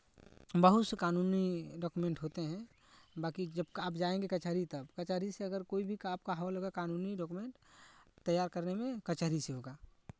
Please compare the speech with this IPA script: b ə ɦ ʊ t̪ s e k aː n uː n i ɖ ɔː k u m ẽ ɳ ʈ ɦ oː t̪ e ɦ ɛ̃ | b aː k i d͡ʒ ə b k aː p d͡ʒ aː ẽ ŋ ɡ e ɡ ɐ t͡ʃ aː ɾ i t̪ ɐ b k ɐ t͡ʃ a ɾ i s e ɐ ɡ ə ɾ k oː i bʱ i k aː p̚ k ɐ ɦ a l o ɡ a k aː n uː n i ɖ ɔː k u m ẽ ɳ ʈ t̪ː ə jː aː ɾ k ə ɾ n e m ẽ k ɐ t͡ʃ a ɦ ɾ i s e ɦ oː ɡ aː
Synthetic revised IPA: b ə ɦ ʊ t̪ s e k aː n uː n i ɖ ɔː k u m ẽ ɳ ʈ ɦ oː t̪ e ɦ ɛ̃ | b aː k i d͡ʒ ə b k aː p d͡ʒ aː ẽ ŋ ɡ e k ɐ t͡ʃ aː ɾ i t̪ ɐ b k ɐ t͡ʃ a ɾ i s e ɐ ɡ ə ɾ k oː i bʱ i k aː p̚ k a ɦ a l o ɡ a k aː n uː n i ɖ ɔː k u m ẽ ɳ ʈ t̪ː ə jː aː ɾ k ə ɾ n e m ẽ k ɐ t͡ʃ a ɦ ɾ i s e ɦ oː ɡ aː